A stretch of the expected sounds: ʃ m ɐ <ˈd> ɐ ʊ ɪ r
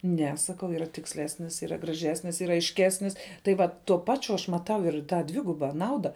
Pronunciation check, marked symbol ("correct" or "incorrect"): incorrect